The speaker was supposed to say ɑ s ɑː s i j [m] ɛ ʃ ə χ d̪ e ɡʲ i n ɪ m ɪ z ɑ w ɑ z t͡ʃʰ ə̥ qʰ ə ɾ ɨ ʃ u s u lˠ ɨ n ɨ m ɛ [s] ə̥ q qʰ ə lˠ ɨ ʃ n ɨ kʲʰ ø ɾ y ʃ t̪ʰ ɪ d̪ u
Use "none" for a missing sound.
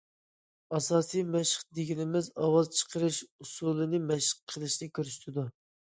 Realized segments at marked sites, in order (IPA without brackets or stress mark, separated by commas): m, ʃ